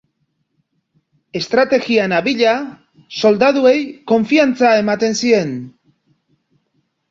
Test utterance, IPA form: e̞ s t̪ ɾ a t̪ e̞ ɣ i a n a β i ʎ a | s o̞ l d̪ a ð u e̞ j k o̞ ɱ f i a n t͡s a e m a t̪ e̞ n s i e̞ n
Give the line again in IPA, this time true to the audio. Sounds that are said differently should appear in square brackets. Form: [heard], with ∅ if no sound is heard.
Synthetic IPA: e̞ s t̪ ɾ a t̪ e̞ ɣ i a n a β i ʎ a | s o̞ l d̪ a ð u e̞ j k o̞ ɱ f i a n t͡s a e m a t̪ e̞ n s i e̞ n